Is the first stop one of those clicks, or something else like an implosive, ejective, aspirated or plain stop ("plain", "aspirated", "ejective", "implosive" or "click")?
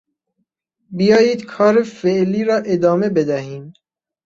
plain